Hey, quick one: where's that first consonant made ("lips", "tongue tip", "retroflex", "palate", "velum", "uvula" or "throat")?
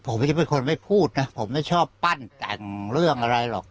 lips